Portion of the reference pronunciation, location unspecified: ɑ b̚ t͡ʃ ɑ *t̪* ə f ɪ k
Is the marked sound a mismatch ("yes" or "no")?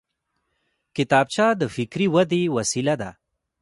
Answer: yes